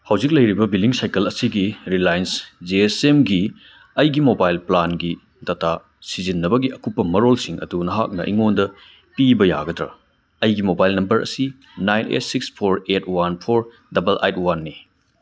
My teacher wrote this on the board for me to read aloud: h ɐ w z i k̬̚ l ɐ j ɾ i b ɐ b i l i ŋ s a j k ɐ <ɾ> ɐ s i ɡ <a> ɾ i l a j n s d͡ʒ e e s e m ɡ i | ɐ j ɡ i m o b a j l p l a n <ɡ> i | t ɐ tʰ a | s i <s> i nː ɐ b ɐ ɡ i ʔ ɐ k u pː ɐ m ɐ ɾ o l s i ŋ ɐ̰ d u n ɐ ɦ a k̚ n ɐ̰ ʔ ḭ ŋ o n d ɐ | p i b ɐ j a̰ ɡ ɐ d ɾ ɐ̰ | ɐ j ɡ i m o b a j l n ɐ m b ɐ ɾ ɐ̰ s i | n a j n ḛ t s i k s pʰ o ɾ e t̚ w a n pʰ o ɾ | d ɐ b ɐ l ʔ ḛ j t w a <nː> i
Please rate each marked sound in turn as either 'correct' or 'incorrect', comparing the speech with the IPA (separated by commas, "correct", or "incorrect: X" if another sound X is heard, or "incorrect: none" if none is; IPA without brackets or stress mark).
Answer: incorrect: l, incorrect: i, correct, incorrect: z, correct